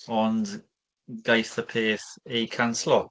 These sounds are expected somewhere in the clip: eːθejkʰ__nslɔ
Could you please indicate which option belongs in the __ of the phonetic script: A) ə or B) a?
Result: B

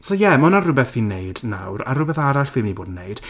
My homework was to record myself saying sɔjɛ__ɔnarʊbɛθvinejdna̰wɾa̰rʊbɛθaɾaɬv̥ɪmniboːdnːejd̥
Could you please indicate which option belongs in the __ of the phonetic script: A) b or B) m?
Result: B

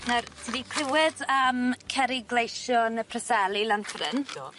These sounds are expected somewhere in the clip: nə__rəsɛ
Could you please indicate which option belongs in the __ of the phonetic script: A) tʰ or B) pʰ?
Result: B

